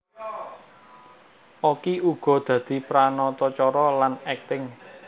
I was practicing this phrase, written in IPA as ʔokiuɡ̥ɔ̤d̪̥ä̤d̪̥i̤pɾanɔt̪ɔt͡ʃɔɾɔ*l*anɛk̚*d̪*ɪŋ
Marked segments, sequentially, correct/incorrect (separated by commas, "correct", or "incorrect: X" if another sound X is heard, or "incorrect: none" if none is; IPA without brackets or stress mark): correct, incorrect: t̪